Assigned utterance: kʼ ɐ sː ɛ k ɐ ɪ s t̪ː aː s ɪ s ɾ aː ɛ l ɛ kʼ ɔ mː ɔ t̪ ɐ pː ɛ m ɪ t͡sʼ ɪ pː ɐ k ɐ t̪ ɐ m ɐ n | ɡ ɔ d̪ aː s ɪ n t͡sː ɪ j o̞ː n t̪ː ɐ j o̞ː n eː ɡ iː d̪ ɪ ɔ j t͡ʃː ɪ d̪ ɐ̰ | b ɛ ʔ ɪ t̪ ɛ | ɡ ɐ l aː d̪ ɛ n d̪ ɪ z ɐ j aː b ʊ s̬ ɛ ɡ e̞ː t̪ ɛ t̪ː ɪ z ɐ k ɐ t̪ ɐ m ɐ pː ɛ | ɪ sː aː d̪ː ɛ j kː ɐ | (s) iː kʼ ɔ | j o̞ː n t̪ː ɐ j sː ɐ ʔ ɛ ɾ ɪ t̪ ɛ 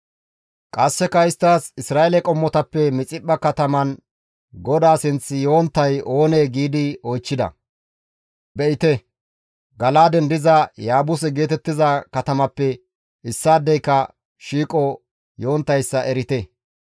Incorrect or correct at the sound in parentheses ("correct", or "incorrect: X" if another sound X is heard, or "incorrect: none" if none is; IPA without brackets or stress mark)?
incorrect: ʃ